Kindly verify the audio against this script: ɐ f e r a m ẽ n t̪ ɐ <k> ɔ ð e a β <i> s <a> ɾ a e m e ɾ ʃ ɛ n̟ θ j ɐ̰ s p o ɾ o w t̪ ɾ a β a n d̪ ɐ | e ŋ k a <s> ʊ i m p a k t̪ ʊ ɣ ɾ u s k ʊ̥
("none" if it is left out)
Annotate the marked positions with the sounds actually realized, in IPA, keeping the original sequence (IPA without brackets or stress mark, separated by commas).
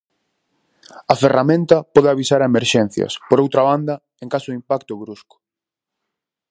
p, i, a, s